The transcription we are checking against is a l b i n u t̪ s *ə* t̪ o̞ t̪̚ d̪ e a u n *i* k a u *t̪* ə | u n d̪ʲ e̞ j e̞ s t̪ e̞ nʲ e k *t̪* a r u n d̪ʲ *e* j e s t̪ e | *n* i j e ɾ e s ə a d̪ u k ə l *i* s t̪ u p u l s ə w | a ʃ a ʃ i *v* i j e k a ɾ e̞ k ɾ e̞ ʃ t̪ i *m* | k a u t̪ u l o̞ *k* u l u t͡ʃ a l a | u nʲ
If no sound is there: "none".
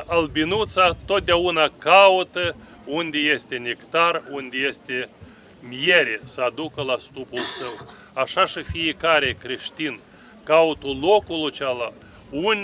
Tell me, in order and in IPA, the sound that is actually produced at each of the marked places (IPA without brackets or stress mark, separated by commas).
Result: a, a, t̪, t̪, e, m, a, f, n, k